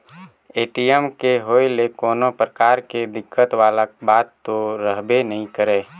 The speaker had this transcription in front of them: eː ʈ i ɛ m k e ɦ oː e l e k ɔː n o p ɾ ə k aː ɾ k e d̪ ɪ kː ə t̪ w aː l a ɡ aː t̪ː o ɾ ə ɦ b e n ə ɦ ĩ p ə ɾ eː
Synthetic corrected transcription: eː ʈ i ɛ m k e ɦ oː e l e k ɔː n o p ɾ ə k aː ɾ k e d̪ ɪ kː ə t̪ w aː l a b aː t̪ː o ɾ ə ɦ b e n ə ɦ ĩ k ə ɾ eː